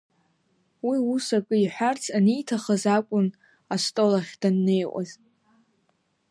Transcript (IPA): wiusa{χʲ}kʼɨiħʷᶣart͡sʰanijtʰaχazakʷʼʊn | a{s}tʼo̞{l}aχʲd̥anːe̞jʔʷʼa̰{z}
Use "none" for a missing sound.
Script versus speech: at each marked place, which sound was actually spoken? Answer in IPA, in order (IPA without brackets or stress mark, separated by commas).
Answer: none, s, l, z